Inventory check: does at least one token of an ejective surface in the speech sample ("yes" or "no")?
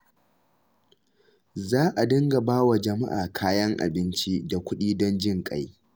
yes